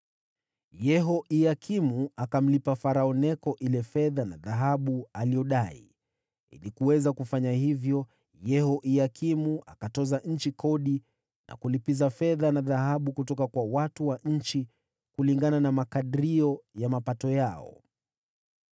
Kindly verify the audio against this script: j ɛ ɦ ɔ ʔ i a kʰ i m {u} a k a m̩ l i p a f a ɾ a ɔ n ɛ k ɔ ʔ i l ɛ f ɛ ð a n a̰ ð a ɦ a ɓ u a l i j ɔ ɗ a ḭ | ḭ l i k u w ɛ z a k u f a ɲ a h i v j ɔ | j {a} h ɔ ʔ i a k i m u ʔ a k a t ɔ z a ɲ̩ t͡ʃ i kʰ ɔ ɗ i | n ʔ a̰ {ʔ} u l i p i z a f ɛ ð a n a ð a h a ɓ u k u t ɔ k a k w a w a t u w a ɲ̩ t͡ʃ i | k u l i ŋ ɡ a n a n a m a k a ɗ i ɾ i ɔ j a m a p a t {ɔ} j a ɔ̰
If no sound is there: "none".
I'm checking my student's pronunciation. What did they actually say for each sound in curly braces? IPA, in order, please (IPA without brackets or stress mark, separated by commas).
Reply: u, ɛ, k, ɔ